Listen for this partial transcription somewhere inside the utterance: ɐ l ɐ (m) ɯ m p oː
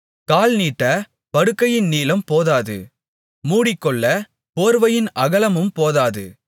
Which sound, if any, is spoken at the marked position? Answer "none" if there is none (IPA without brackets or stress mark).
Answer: m